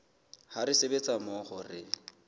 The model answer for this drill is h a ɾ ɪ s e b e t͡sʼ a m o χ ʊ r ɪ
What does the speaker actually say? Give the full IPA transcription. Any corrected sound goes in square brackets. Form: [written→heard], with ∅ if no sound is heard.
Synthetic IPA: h a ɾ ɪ s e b e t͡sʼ a m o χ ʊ r ɪ